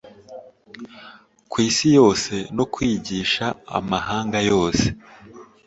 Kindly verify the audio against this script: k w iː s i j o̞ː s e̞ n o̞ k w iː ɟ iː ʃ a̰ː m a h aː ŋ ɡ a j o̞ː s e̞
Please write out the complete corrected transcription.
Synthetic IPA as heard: k w iː s i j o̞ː s e̞ n o̞ k w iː ɟ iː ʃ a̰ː m a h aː ŋ ɡ a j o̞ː s e̞